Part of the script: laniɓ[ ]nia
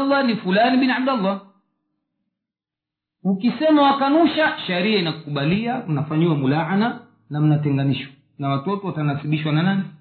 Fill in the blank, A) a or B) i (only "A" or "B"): B